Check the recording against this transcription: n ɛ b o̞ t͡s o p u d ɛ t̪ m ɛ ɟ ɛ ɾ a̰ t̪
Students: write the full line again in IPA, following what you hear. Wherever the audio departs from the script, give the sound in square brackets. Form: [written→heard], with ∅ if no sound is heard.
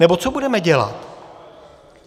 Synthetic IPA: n ɛ b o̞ t͡s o [p→b] u d ɛ [t̪→∅] m ɛ ɟ ɛ [ɾ→l] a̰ t̪